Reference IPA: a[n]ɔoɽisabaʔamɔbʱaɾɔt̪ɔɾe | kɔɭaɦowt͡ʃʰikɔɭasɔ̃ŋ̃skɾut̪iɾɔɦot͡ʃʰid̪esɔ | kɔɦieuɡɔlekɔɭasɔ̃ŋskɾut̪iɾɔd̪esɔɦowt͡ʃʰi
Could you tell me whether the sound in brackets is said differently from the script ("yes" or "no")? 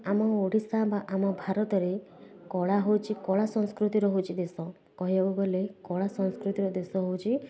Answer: yes